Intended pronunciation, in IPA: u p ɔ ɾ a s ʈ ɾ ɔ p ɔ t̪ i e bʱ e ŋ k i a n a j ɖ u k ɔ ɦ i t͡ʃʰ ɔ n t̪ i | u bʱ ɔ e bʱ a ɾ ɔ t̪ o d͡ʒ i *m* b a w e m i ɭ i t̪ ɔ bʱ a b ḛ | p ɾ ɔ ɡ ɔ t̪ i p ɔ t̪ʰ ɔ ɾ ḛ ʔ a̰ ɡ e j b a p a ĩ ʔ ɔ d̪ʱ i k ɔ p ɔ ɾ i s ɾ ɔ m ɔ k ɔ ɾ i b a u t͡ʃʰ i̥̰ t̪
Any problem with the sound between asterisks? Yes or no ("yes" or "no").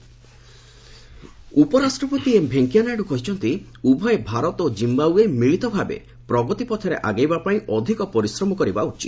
no